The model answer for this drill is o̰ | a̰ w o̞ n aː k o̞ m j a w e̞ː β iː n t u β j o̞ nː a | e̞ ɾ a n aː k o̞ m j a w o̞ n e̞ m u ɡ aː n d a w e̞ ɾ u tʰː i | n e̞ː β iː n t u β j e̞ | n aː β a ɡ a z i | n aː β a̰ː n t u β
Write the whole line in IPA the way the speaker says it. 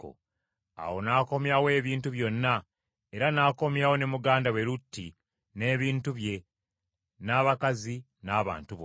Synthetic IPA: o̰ | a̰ w o̞ n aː k o̞ m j a w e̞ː β iː n t u β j o̞ nː a | e̞ ɾ a n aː k o̞ m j a w o̞ n e̞ m u ɡ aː n d a w e̞ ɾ u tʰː i | n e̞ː β iː n t u β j e̞ | n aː β a k a z i | n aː β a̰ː n t u β